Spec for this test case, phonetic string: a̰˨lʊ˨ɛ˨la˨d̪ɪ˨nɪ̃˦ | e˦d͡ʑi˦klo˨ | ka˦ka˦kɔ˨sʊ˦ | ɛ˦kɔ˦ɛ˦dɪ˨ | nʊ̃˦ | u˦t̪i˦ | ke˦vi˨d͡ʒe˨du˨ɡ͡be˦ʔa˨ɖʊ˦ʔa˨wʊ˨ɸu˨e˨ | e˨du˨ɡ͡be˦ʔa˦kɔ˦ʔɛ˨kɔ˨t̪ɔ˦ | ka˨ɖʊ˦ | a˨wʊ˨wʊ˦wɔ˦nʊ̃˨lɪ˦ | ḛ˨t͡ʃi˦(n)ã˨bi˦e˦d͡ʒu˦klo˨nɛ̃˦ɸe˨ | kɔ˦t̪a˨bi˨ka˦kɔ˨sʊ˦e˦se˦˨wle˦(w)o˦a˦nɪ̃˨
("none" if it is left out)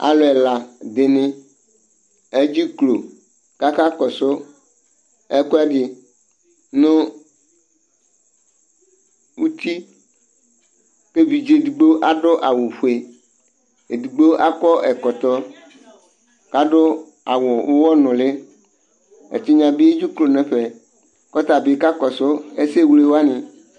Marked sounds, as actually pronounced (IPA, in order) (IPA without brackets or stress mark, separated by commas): ɲ, w